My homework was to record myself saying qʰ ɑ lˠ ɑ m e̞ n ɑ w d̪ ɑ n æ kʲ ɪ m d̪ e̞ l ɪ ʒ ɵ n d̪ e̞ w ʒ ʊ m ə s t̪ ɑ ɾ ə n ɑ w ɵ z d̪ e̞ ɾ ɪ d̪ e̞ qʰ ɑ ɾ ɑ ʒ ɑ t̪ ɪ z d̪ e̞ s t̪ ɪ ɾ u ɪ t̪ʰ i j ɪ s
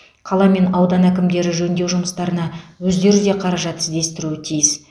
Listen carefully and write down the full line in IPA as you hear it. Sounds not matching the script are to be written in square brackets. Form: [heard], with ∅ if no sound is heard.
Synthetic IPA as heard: qʰ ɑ lˠ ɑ m e̞ n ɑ w d̪ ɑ n æ kʲ ɪ m d̪ e̞ [ɾ] ɪ ʒ ɵ n d̪ e̞ w ʒ ʊ m ə s t̪ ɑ ɾ ə n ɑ w ɵ z d̪ e̞ ɾ ɪ d̪ e̞ qʰ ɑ ɾ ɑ ʒ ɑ t̪ ɪ z d̪ e̞ s t̪ ɪ ɾ u ɪ t̪ʰ i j ɪ s